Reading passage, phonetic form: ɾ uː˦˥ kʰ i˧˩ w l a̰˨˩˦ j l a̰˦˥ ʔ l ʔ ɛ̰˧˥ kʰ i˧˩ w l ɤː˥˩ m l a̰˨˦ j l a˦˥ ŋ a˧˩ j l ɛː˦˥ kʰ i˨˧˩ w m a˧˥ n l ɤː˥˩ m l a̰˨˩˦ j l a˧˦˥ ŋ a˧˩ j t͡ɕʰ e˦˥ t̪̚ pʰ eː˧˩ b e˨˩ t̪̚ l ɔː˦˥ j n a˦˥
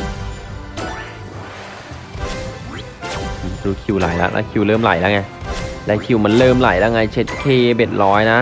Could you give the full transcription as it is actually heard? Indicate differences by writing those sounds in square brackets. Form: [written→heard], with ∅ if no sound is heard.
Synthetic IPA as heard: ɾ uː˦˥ kʰ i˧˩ w l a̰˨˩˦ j l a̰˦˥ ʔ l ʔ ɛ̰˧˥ kʰ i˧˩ w l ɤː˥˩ m l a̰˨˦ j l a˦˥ ŋ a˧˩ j l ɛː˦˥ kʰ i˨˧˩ w m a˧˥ n l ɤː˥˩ m l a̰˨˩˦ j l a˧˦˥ ŋ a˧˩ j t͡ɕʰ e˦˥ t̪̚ [pʰ→kʰ] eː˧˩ b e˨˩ t̪̚ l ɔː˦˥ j n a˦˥